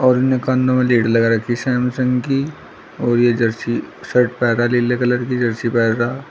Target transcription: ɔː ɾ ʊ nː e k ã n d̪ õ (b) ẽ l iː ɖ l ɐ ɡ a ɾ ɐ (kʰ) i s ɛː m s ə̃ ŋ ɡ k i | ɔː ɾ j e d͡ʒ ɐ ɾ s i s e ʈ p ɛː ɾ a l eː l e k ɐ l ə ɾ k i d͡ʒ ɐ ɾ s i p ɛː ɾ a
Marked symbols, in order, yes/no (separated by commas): no, yes